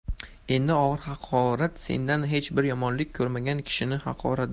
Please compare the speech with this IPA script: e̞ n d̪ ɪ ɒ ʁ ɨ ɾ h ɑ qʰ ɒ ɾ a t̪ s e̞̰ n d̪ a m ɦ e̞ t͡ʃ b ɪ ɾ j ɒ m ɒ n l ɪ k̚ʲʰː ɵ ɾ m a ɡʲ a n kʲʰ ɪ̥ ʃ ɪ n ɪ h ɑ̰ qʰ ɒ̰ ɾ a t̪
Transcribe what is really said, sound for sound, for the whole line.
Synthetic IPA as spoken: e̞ n d̪ ɪ ɒ ʁ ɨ ɾ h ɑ qʰ ɒ ɾ a t̪ s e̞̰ n d̪ a n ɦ e̞ t͡ʃ b ɪ ɾ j ɒ m ɒ n l ɪ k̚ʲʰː ɵ ɾ m a ɡʲ a n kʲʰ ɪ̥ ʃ ɪ n ɪ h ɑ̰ qʰ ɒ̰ ɾ a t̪